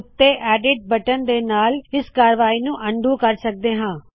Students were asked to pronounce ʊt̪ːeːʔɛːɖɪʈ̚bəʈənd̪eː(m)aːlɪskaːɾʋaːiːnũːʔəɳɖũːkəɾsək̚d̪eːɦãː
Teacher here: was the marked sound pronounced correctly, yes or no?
no